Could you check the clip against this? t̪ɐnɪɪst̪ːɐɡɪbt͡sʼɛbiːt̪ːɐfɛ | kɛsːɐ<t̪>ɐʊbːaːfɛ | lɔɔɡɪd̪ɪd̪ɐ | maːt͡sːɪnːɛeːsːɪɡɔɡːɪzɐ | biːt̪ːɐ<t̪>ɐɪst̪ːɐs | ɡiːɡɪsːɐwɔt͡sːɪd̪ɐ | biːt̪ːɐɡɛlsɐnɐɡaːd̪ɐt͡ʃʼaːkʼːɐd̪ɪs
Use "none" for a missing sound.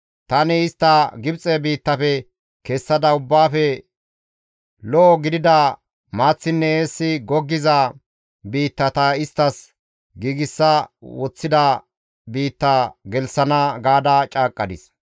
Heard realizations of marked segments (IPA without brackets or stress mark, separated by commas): d̪, t̪